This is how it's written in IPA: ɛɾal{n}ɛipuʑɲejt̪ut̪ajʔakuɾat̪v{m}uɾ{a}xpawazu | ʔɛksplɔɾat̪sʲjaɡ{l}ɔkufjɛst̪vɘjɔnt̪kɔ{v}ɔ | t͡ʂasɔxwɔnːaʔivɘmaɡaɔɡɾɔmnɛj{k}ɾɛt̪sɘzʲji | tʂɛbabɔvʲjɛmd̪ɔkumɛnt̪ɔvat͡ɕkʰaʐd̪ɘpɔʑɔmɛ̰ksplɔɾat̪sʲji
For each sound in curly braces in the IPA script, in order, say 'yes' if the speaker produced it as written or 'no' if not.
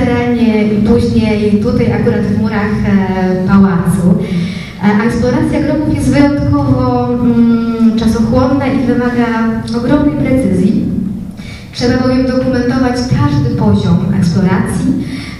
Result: no, yes, yes, no, yes, no

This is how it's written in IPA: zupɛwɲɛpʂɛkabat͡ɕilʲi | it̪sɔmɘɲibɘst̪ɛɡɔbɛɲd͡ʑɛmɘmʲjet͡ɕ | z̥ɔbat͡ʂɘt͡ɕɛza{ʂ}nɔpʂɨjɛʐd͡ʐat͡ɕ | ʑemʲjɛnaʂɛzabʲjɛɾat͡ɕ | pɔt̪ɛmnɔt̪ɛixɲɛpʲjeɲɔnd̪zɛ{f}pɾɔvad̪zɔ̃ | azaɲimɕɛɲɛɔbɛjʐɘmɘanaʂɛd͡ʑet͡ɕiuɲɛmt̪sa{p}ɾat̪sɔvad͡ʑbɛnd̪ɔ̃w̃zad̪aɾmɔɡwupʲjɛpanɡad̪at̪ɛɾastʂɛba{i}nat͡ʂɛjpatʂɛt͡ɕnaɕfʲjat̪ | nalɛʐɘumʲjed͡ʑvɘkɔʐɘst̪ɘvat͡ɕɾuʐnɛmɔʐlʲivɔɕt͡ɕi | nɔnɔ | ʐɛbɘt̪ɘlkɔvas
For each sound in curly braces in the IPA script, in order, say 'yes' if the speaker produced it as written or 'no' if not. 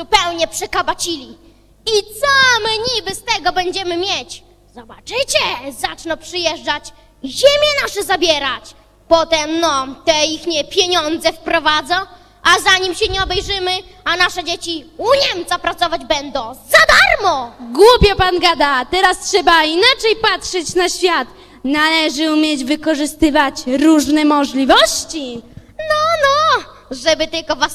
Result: no, yes, yes, yes

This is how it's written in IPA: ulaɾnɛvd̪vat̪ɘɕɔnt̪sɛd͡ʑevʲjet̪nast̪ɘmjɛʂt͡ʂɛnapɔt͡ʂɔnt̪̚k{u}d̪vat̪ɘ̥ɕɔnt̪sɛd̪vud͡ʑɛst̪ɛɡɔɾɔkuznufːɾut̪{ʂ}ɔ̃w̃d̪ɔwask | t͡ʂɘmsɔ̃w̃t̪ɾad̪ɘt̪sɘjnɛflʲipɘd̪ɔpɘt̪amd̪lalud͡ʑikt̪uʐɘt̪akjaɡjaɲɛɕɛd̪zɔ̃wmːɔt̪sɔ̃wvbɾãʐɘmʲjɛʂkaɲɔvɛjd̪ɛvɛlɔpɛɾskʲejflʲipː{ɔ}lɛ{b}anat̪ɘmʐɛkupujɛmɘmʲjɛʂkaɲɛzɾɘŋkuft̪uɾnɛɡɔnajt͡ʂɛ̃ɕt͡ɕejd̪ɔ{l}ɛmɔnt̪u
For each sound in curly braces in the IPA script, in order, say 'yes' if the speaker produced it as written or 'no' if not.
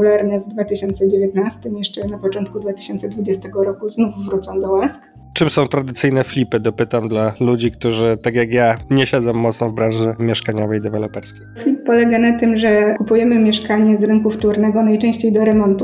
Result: yes, no, yes, no, no

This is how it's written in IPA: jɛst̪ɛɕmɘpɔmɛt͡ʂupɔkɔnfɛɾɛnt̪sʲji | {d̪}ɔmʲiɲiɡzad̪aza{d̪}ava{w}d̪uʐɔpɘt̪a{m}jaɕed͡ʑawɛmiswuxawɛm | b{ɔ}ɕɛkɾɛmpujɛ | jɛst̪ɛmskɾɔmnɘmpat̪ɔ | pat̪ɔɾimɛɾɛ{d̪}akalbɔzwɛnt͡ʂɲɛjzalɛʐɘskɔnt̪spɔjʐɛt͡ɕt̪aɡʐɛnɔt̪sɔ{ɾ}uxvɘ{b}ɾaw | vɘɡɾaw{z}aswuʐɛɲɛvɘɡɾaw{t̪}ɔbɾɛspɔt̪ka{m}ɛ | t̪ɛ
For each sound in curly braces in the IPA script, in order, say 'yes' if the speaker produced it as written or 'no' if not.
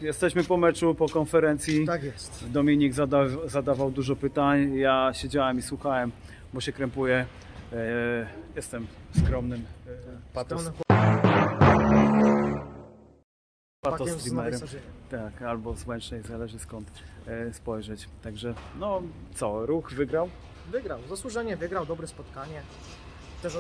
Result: yes, yes, yes, no, yes, no, yes, no, yes, no, no

